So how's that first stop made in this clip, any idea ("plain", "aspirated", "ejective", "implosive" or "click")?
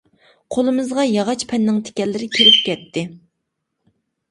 aspirated